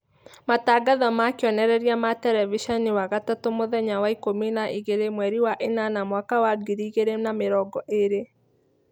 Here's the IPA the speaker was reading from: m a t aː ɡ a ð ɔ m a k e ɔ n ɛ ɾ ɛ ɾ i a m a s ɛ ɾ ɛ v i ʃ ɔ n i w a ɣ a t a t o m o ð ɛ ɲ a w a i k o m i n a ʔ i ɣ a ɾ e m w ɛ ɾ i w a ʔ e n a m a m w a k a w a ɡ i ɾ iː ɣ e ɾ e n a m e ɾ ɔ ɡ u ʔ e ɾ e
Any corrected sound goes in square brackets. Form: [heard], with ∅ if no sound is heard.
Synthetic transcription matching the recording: m a t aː ɡ a ð ɔ m a k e ɔ n ɛ ɾ ɛ ɾ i a m a [t] ɛ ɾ ɛ v i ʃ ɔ n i w a ɣ a t a t o m o ð ɛ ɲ a w a i k o m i n a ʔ i ɣ [e] ɾ e m w ɛ ɾ i w a ʔ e n a [n] a m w a k a w a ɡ i ɾ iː ɣ e ɾ e n a m e ɾ ɔ ɡ [ɔ] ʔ e ɾ e